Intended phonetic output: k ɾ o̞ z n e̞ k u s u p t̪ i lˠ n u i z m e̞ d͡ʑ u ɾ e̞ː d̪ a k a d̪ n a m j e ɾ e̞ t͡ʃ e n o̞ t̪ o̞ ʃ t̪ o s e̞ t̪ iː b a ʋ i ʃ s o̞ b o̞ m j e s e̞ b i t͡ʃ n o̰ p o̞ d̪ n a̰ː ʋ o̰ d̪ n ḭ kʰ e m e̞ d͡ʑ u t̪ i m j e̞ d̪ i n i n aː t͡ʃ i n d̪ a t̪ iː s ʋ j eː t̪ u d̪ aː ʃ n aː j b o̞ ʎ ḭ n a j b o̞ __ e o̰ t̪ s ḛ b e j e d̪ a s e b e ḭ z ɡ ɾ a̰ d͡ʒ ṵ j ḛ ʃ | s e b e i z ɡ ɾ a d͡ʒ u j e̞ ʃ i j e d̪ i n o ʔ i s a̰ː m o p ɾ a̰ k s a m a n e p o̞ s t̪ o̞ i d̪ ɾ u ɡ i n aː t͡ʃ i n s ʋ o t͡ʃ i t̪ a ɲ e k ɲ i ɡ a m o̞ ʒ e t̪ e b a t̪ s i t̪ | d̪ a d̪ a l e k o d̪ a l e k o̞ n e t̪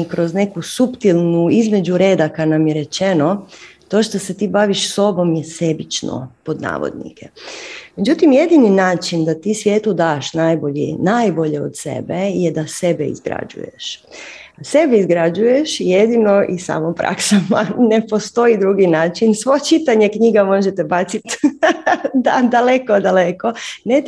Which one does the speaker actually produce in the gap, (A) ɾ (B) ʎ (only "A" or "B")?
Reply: B